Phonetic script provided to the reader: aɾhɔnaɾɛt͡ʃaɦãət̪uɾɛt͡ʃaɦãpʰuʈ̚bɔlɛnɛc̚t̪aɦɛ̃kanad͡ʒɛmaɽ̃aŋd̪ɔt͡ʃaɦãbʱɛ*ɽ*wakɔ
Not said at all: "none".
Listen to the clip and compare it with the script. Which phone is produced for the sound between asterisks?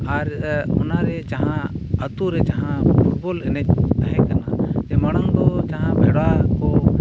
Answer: ɽ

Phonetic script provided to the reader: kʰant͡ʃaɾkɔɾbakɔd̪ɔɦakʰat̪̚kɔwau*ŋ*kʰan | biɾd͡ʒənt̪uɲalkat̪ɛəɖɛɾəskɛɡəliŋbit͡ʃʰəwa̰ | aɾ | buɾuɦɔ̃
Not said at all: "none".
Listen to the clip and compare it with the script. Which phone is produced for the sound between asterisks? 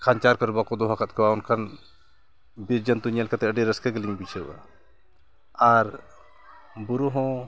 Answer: n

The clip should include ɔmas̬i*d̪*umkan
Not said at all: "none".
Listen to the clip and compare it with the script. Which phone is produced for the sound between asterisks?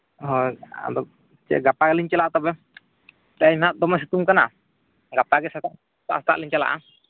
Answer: t̪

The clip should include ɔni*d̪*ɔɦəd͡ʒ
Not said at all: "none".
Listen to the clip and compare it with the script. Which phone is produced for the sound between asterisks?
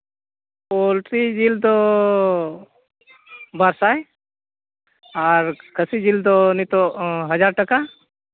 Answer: t̪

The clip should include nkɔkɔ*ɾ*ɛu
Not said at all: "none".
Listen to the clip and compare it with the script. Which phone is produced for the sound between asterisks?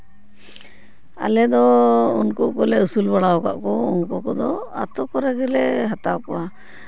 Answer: l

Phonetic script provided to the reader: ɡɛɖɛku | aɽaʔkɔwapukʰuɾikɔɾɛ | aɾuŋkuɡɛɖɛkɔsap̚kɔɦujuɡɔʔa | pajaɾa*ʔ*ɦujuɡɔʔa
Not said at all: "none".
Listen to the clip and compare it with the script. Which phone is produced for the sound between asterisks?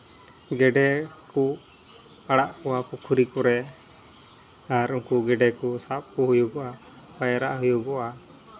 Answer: ʔ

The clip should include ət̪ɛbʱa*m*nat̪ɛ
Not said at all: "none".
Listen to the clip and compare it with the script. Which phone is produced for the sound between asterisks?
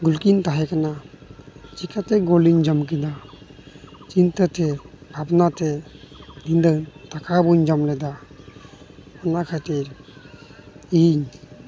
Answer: b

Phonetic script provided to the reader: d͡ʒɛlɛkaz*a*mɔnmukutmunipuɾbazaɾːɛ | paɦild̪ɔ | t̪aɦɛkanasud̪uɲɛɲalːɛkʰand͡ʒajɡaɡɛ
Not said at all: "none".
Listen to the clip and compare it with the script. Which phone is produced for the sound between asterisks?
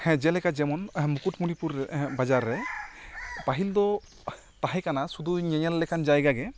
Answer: ɛ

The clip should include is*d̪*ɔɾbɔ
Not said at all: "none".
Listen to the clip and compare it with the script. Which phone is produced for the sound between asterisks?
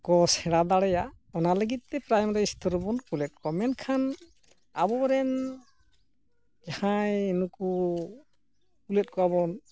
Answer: t̪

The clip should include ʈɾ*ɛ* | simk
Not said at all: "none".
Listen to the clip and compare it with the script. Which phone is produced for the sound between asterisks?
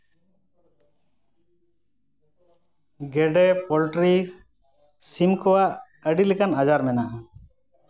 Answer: i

